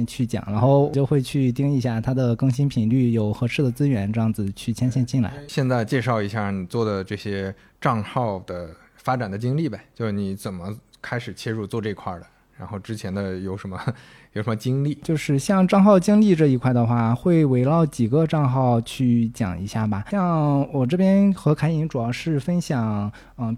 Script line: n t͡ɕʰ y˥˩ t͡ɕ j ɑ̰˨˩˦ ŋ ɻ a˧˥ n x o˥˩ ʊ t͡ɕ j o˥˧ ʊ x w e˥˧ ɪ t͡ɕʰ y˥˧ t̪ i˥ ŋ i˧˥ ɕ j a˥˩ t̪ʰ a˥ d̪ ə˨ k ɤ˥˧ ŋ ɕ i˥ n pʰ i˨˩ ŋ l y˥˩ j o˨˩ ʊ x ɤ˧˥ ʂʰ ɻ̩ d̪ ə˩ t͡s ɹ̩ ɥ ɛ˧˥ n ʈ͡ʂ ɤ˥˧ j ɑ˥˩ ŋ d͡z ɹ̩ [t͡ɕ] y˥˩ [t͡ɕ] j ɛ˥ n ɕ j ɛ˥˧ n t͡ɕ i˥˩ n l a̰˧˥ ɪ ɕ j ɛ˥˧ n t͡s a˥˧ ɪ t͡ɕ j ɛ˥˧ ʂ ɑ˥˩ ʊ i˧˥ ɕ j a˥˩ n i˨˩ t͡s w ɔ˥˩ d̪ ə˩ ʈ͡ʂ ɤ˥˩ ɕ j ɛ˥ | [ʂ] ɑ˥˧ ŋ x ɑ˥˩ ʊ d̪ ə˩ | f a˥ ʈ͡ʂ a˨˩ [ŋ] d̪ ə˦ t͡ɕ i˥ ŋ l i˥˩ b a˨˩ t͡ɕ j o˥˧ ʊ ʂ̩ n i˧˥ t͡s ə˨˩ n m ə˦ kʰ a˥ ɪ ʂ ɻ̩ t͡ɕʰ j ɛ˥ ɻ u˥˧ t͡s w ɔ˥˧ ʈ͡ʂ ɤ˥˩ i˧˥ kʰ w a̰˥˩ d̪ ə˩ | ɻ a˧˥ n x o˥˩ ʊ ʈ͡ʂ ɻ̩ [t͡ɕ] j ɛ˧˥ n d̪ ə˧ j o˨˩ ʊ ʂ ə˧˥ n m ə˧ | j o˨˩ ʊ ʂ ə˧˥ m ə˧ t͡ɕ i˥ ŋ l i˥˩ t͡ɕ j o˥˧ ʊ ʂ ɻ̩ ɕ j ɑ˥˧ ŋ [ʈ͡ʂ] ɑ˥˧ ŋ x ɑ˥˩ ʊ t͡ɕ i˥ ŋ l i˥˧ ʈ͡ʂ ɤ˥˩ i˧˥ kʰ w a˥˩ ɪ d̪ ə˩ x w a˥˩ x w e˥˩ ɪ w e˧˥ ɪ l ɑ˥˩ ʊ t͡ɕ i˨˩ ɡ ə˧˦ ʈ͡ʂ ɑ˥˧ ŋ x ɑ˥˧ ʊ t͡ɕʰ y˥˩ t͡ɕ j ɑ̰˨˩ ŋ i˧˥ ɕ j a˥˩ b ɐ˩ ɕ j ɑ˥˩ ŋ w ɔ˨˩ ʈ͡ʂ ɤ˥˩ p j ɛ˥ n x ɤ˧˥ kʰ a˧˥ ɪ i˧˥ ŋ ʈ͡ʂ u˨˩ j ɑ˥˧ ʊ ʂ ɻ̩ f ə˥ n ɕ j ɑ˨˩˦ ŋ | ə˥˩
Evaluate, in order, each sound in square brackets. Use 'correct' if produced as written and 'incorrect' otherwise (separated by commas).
incorrect, incorrect, incorrect, incorrect, incorrect, correct